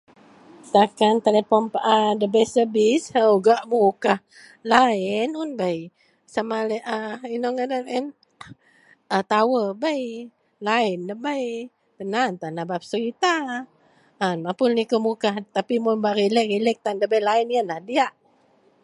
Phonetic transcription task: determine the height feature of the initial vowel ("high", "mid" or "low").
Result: low